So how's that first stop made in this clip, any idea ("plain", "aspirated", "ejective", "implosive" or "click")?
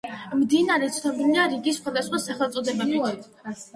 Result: plain